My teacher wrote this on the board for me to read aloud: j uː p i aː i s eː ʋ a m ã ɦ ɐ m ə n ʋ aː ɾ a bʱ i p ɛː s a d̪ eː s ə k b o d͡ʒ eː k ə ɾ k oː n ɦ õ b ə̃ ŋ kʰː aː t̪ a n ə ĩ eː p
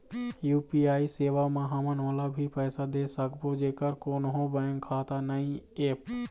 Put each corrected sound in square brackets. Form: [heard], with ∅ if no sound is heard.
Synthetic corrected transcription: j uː p i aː i s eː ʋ a m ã ɦ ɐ m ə n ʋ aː [l] a bʱ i p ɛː s a d̪ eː s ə k b o d͡ʒ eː k ə ɾ k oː n ɦ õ b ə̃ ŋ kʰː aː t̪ a n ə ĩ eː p